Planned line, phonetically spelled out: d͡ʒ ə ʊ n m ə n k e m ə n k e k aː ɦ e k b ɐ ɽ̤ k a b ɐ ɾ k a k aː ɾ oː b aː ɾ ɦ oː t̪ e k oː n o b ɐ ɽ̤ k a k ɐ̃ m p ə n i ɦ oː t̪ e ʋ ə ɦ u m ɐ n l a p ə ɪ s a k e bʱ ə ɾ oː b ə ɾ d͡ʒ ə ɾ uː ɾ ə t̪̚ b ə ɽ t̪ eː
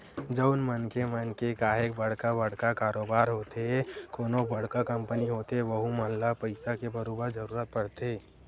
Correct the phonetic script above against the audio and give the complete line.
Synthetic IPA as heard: d͡ʒ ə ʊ n m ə n k e m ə n k e k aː ɦ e k b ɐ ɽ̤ k a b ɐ ɽ k a k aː ɾ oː b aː ɾ ɦ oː t̪ e k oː n o b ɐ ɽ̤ k a k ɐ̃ m p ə n i ɦ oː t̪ e ʋ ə ɦ u m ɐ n l a p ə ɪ s a k e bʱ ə ɾ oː b ə ɾ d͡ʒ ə ɾ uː ɾ ə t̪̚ p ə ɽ t̪ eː